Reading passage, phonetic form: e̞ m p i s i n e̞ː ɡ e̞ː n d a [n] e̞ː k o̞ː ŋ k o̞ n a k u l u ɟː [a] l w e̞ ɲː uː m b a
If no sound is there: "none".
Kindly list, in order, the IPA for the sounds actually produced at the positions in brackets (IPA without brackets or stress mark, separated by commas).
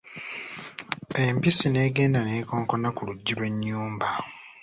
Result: n, i